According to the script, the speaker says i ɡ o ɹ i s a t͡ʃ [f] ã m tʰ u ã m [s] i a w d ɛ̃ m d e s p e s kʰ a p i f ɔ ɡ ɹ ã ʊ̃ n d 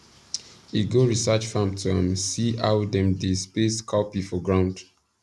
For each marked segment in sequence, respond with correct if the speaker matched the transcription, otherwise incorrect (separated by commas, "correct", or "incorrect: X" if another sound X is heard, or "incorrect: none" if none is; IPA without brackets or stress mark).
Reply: correct, correct